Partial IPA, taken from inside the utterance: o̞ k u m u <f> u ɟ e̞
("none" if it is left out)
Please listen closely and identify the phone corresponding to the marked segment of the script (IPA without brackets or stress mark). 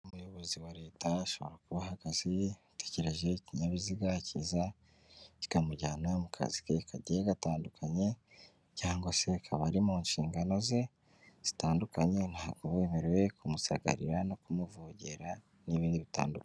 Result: v